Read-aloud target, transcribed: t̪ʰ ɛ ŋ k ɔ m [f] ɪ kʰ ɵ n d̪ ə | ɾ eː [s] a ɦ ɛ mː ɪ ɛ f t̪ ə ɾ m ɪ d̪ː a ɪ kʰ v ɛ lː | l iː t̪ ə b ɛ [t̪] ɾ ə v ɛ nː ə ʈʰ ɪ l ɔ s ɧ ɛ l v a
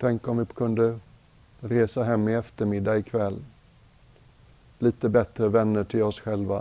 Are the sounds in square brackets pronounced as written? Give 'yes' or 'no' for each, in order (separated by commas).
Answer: no, yes, yes